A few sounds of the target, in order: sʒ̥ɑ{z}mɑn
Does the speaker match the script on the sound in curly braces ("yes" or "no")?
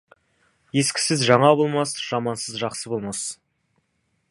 no